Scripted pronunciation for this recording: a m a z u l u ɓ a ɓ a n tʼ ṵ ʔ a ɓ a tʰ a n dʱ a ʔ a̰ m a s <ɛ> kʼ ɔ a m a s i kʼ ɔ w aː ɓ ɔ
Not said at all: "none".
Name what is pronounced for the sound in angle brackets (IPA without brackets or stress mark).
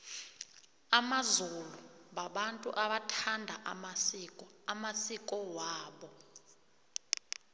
i